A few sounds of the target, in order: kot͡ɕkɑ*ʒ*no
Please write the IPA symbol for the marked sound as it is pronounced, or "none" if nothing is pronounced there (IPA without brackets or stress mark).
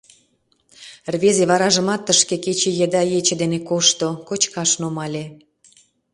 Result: ʃ